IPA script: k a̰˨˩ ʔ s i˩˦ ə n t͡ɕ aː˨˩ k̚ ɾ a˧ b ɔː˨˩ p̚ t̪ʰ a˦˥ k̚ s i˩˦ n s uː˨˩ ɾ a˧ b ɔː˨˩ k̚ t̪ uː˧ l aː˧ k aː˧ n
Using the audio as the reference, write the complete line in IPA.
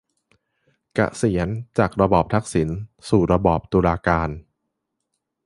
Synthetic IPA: k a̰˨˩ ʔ s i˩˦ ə n t͡ɕ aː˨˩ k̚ ɾ a˧ b ɔː˨˩ p̚ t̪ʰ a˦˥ k̚ s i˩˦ n s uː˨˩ ɾ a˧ b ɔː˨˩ p̚ t̪ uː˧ l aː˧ k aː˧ n